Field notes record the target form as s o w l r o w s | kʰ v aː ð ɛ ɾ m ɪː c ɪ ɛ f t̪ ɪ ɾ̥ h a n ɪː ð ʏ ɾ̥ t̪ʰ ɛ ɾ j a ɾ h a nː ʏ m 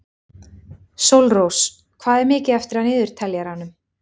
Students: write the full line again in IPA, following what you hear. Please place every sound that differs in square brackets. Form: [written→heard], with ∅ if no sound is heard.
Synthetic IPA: s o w l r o w s | kʰ v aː ð ɛ ɾ m ɪː c ɪ ɛ f t̪ ɪ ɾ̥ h a n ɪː ð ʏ ɾ̥ t̪ʰ ɛ [ɾ→l] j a ɾ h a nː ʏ m